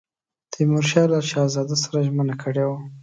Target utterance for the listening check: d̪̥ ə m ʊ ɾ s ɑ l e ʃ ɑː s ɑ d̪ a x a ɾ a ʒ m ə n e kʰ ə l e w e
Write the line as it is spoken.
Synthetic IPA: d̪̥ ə m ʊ ɾ ʃ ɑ l a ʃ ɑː z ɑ d̪ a s a ɾ a ʒ m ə n a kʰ ə ɽ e w a